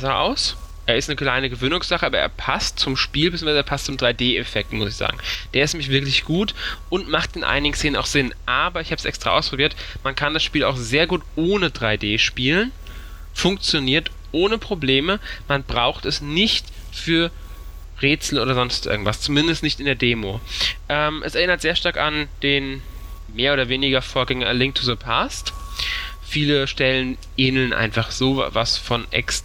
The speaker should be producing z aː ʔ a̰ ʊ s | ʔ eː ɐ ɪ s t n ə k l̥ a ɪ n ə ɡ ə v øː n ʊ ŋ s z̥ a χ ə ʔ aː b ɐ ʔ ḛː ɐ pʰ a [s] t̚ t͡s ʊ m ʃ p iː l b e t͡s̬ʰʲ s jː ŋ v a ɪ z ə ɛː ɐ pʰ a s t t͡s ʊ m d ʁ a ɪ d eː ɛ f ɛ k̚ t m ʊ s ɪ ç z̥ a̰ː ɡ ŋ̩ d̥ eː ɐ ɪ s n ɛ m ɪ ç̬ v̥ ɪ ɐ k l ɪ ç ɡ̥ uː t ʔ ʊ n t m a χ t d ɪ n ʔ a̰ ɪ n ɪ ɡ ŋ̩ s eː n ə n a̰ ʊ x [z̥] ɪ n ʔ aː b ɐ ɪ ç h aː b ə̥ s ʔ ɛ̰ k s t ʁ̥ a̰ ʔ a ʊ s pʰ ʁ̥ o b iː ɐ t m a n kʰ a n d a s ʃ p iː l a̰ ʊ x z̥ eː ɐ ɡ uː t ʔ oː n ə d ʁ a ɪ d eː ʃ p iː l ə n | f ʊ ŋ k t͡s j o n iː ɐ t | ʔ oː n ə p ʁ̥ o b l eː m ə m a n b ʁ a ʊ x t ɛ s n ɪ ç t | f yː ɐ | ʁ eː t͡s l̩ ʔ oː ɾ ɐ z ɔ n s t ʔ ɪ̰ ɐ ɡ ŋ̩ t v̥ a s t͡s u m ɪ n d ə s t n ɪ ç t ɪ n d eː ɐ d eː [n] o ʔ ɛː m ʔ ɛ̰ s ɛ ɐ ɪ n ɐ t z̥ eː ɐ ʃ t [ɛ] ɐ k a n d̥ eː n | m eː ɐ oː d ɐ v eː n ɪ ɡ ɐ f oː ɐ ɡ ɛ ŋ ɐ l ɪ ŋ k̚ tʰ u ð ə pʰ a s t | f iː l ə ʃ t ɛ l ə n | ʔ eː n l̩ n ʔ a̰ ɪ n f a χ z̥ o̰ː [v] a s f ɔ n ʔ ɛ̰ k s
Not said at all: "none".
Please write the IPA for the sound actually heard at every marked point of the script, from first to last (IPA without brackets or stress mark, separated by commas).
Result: s, z̥, m, a, v